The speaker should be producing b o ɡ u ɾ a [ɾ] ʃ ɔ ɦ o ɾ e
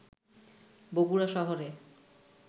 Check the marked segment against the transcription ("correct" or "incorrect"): incorrect